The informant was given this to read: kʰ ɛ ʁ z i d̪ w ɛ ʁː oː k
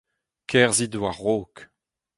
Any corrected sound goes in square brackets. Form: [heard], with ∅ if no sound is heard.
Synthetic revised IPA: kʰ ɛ ʁ z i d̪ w [a] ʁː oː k